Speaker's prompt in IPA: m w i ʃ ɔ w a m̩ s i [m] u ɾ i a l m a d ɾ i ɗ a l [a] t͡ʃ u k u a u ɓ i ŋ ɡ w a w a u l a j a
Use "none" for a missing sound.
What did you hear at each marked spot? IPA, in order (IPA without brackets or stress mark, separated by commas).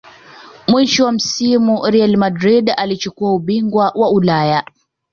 m, i